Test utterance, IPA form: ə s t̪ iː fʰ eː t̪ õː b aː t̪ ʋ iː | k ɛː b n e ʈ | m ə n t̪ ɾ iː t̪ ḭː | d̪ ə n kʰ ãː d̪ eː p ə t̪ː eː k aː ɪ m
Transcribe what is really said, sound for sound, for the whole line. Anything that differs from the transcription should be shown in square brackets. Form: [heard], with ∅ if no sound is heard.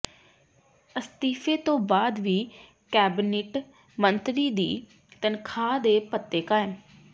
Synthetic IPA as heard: ə s t̪ iː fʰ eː t̪ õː b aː [d̪] ʋ iː | k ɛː b n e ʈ | m ə n t̪ ɾ iː [d̪] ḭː | [t̪] ə n kʰ [aː] d̪ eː p ə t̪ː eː k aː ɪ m